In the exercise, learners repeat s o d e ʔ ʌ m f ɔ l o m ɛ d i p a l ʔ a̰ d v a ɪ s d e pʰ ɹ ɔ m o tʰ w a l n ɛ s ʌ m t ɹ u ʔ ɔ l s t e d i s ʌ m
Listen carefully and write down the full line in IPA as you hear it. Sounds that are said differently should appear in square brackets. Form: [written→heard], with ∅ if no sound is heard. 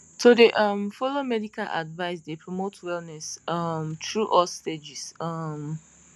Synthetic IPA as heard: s o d e ʔ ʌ m f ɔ l o m ɛ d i [p→k] a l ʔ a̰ d v a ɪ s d e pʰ ɹ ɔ m o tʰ w [a→ɛ] l n ɛ s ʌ m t ɹ u ʔ ɔ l s t e [d→d͡ʒ] i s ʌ m

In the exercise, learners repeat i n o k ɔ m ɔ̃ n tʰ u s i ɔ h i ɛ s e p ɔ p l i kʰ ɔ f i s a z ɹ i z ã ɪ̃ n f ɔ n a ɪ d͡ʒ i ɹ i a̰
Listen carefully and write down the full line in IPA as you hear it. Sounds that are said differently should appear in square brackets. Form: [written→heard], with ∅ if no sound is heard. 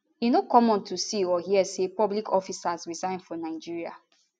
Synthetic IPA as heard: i n o k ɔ m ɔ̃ n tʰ u s i ɔ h i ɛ s e p ɔ [p→b] l i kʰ ɔ f i s a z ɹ i z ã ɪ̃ n f ɔ n a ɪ d͡ʒ i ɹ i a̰

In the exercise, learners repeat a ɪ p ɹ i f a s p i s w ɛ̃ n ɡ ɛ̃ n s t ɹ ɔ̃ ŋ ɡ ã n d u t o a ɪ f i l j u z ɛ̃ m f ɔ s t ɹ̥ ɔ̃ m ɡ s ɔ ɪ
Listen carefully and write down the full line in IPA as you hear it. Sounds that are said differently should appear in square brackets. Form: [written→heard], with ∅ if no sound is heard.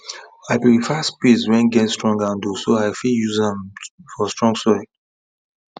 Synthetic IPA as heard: a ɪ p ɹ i f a s p i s w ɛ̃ n ɡ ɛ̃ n s t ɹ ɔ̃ ŋ ɡ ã n d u [t→s] o a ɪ f i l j u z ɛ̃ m f ɔ s t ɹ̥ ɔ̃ [m→ŋ] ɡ s ɔ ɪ

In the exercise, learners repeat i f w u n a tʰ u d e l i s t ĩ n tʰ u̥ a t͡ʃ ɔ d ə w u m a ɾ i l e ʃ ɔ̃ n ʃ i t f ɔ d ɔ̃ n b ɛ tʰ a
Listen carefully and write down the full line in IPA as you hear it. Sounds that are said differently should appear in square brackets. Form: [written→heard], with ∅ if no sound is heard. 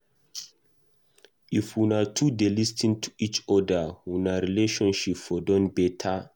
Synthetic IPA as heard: i f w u n a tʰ u d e l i s t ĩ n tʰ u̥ [a→i] t͡ʃ ɔ d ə w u [m→n] a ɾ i l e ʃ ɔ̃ n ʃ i [t→p] f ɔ d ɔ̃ n b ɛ tʰ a

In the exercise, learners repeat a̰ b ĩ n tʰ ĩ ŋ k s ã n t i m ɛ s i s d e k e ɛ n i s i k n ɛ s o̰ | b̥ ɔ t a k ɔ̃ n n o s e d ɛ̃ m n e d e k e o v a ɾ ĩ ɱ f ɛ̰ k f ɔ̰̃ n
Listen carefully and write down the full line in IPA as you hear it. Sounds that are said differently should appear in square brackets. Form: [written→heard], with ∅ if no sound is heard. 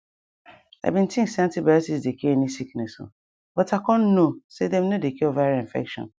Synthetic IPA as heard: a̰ b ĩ n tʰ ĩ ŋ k s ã n t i [m→b] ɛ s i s d e k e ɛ n i s i k n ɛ s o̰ | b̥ ɔ t a k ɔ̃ n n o s e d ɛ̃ m n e d e k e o v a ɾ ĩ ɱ f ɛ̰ k [f→ʃ] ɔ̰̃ n

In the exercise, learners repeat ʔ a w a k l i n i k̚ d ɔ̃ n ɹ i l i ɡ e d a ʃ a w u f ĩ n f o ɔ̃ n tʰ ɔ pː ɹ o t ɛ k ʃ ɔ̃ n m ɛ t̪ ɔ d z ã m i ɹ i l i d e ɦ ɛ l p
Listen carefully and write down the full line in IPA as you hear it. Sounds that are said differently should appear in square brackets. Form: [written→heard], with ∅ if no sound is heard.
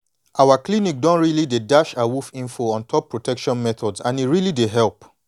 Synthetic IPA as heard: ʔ a w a k l i n i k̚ d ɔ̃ n ɹ i l i [ɡ→d] e d a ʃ a w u f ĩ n f o ɔ̃ n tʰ ɔ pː ɹ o t ɛ k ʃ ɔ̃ n m ɛ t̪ ɔ d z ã [m→n] i ɹ i l i d e ɦ ɛ l p

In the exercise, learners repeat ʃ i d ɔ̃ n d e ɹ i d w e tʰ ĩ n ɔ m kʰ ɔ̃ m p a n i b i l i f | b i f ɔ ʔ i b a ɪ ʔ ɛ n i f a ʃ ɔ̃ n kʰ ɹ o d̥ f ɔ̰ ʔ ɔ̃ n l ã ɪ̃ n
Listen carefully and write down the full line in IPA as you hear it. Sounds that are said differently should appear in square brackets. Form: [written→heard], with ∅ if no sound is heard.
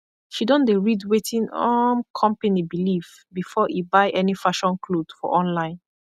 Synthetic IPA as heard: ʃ i d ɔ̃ n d e ɹ i d w e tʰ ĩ n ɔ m kʰ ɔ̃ m p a n i b i l i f | b i f ɔ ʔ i b a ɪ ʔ ɛ n i f a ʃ ɔ̃ n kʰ [ɹ→l] o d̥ f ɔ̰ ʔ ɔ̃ n l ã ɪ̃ n

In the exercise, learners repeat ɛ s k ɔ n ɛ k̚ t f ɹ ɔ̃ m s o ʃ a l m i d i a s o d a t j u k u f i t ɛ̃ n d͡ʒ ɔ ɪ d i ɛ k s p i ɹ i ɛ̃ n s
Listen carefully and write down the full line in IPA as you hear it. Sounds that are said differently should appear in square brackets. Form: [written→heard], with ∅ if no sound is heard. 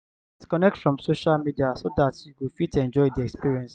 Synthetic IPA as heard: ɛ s k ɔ n ɛ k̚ t f ɹ ɔ̃ m s o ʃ a l m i d i a s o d a t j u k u f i t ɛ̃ n d͡ʒ ɔ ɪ d i ɛ k s p i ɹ i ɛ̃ n s

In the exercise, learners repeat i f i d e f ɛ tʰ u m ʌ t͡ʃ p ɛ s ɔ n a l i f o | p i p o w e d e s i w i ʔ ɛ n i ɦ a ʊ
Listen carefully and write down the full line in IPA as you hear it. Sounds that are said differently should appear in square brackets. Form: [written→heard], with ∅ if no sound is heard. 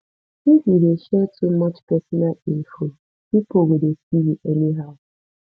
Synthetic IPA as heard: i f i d e [f→ʃ] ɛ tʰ u m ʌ t͡ʃ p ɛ s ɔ n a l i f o | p i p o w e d e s i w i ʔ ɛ n i ɦ a ʊ

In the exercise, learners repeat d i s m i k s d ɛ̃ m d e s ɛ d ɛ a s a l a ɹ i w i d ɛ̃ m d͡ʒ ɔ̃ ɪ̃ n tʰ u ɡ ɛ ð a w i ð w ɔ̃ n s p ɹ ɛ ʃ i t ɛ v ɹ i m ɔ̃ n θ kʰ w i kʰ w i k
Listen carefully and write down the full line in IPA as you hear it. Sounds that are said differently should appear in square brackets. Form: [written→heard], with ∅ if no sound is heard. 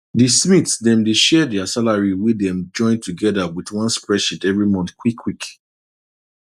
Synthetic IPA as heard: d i s m i [k→t] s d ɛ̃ m d e [s→ʃ] ɛ d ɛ a s a l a ɹ i w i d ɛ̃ m d͡ʒ ɔ̃ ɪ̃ n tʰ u ɡ ɛ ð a w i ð w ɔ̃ n s p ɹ ɛ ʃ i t ɛ v ɹ i m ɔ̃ n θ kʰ w i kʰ w i k

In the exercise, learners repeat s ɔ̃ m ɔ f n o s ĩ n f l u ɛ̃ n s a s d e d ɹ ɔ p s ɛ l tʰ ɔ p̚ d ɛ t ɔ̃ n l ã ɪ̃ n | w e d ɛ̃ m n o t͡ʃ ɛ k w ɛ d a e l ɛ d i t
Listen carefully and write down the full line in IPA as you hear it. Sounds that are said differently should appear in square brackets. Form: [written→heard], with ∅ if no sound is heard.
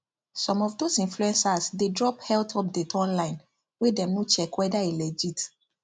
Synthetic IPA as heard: s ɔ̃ m ɔ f [n→d] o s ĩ n f l u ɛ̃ n s a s d e d ɹ ɔ p [s→h] ɛ l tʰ ɔ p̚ d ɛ t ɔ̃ n l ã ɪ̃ n | w e d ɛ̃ m n o t͡ʃ ɛ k w ɛ d a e l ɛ [d→d͡ʒ] i t

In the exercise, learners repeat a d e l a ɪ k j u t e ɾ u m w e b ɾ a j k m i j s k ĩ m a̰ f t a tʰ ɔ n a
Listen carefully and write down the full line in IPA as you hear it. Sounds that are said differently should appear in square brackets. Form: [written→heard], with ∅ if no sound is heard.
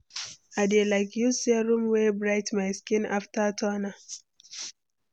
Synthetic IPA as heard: a d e l a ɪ k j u [t→s] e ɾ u m w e b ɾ a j [k→t] m [i→a] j s k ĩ [m→n] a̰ f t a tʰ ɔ n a

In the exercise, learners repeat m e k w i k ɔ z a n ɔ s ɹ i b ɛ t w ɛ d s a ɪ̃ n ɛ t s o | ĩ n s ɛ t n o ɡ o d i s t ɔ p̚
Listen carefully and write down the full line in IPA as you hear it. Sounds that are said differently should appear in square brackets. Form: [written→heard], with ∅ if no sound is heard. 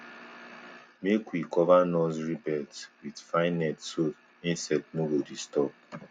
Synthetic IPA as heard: m e k w i k ɔ [z→v] a n ɔ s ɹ i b ɛ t w [ɛ→i] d [s→f] a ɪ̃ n ɛ t s o | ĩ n s ɛ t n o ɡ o d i s t ɔ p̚

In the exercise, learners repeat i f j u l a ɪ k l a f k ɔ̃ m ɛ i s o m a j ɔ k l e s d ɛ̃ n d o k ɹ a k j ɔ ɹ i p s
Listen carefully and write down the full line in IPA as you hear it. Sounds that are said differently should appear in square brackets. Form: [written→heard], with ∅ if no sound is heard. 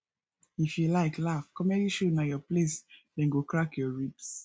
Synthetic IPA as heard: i f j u l a ɪ k l a f k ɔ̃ m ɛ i [s→ʃ] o [m→n] a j ɔ [k→p] l e s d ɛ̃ n [d→ɡ] o k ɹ a k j ɔ ɹ i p s

